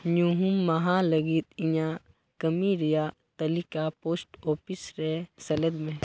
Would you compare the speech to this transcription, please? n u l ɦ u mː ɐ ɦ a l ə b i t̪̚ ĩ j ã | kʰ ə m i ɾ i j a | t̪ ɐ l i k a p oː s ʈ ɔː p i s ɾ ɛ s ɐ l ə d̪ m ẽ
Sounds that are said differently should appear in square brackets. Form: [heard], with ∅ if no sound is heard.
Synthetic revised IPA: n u [∅] ɦ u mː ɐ ɦ a l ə [ɡ] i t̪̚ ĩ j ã | [k] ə m i ɾ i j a | t̪ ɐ l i k a p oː s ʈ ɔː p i s ɾ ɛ s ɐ l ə d̪ m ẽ